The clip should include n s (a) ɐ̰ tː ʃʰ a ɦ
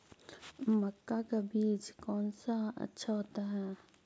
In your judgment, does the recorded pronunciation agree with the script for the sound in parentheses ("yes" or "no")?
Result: yes